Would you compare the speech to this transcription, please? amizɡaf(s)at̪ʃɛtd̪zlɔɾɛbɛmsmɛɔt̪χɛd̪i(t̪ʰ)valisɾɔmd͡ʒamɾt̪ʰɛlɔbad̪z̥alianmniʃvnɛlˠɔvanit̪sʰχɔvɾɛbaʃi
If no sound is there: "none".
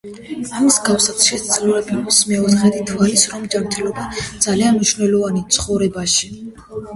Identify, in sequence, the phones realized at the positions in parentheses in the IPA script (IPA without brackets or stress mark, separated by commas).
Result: s, t̪ʰ